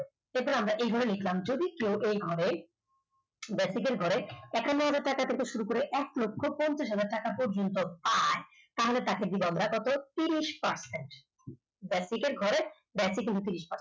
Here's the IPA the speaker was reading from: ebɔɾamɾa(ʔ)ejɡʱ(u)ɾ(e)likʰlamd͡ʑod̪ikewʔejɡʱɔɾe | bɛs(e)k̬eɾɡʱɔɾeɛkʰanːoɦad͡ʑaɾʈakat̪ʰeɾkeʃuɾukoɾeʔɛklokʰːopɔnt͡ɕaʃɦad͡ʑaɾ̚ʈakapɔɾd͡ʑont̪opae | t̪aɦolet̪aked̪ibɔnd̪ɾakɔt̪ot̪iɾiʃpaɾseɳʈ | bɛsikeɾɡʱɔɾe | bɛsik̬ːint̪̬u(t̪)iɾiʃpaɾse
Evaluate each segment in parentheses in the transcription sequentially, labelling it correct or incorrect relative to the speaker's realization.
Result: correct, incorrect, correct, incorrect, correct

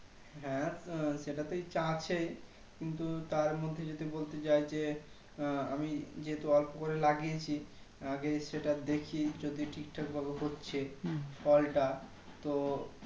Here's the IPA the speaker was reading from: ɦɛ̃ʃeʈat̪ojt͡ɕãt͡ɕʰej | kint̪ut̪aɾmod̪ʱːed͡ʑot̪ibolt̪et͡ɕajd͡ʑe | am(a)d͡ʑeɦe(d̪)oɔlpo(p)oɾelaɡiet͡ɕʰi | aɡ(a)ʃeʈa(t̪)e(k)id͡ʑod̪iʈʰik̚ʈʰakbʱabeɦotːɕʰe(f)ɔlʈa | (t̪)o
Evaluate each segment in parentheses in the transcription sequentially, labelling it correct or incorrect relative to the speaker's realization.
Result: incorrect, incorrect, incorrect, incorrect, incorrect, incorrect, correct, correct

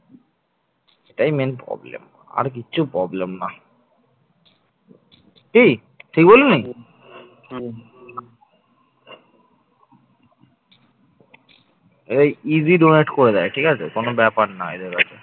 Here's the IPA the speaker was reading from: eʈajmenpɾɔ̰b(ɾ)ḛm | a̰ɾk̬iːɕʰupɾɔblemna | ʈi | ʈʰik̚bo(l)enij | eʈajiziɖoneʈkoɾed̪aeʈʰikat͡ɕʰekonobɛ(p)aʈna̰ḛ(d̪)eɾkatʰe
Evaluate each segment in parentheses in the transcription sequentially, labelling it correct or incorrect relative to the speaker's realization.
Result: incorrect, correct, correct, correct

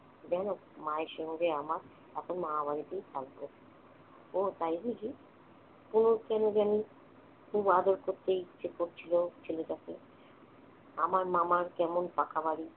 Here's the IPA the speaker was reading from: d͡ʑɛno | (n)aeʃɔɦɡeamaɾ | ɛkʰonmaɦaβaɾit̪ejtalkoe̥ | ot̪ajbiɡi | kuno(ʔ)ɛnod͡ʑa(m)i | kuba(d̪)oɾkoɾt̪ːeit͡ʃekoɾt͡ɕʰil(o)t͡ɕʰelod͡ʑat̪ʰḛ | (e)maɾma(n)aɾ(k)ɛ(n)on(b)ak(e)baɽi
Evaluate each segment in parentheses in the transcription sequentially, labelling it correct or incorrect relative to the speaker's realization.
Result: incorrect, incorrect, incorrect, correct, correct, incorrect, incorrect, correct, incorrect, incorrect, incorrect

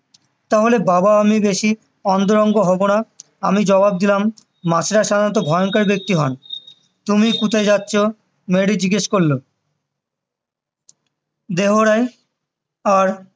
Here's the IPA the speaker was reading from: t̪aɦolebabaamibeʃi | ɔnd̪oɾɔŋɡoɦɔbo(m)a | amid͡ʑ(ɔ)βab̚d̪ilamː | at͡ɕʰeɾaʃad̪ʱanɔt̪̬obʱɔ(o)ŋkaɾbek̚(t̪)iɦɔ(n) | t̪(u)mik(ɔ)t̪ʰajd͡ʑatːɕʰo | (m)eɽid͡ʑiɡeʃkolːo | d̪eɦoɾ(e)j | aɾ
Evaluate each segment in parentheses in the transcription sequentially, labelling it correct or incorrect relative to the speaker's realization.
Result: incorrect, correct, correct, correct, correct, correct, incorrect, correct, incorrect

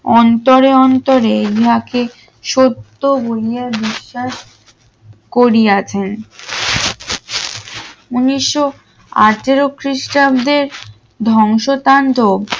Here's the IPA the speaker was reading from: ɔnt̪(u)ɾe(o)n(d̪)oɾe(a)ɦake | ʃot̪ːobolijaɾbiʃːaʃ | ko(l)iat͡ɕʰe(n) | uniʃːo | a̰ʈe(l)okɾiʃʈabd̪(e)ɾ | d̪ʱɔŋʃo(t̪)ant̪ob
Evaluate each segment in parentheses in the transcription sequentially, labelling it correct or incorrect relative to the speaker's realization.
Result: incorrect, incorrect, incorrect, incorrect, incorrect, correct, incorrect, correct, correct

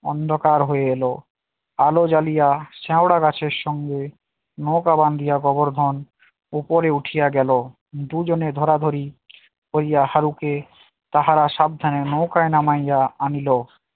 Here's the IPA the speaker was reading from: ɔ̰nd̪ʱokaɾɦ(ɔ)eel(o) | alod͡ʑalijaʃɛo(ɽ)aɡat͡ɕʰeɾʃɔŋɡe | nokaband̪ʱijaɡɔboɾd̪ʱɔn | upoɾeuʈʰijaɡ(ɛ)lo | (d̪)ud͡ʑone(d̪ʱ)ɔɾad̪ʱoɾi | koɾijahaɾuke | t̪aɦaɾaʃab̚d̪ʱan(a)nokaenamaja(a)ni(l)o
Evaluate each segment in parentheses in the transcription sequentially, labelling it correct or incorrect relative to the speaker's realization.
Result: incorrect, correct, correct, correct, correct, correct, incorrect, correct, correct

